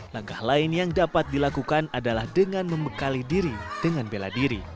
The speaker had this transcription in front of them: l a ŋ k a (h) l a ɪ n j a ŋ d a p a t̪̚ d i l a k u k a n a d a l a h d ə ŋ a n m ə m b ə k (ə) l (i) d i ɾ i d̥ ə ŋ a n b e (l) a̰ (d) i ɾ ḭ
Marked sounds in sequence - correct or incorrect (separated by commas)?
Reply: correct, incorrect, correct, correct, correct